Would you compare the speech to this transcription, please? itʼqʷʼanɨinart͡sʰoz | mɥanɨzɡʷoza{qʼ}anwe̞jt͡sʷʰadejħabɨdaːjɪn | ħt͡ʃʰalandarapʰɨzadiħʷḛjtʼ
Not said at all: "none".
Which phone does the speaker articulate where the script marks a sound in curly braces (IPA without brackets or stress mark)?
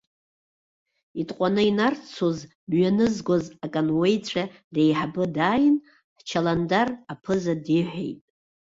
kʼ